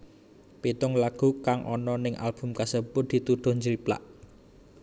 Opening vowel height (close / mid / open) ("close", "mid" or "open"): close